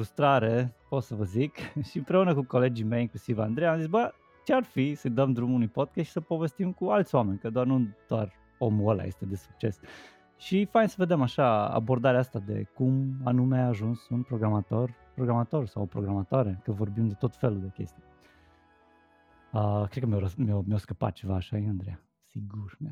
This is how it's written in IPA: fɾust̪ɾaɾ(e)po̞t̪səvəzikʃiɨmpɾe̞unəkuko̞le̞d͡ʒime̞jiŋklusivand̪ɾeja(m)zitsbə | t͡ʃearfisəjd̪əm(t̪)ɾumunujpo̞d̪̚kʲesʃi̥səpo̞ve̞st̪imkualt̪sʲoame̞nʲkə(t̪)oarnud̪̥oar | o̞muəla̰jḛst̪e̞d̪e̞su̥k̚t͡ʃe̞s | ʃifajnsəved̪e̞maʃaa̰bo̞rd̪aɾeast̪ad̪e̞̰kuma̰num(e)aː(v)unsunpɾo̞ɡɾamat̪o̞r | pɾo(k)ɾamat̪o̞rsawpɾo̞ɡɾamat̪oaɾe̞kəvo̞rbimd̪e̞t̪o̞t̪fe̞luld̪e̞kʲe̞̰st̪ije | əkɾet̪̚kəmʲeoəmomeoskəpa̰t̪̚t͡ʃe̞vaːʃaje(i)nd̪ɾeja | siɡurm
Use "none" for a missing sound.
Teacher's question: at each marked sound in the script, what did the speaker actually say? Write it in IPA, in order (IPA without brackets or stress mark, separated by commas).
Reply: e, m, d̪, d̪, e, ʒ, ɡ, a